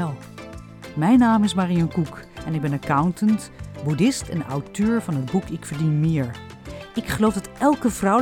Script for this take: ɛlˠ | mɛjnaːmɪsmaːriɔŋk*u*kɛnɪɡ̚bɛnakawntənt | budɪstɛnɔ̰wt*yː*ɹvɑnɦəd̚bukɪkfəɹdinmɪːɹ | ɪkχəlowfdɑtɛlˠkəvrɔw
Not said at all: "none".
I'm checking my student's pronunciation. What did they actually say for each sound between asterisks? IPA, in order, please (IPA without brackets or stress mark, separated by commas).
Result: u, øː